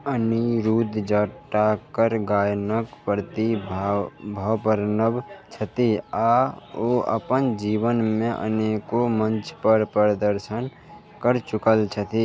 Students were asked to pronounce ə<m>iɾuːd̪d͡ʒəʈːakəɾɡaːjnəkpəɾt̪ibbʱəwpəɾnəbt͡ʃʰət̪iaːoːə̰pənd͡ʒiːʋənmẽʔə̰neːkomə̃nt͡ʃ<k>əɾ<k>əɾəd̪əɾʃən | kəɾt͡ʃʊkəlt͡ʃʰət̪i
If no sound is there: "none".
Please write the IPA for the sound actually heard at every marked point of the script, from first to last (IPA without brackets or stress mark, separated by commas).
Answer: n, p, p